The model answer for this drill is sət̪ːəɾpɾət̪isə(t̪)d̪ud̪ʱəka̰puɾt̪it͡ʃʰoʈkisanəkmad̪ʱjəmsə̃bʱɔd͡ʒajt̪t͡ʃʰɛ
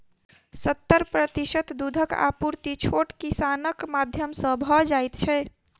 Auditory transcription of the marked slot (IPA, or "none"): t̪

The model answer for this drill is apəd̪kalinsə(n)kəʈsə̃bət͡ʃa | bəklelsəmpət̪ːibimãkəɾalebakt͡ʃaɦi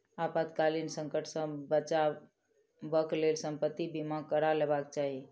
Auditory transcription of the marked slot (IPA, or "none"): ŋ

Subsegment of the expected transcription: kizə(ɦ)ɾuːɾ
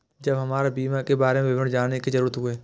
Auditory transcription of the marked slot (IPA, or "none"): none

